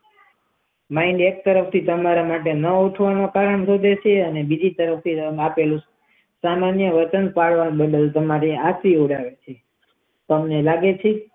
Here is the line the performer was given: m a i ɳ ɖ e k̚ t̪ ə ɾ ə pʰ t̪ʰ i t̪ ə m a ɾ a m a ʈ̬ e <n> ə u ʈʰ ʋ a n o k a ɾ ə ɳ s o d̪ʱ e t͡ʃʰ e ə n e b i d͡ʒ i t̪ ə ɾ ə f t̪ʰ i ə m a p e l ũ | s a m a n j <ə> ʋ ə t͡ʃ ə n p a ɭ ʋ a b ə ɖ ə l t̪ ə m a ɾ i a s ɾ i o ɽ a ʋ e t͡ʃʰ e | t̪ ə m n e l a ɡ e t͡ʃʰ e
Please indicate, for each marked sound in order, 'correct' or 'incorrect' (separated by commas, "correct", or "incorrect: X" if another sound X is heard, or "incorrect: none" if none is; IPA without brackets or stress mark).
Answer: correct, correct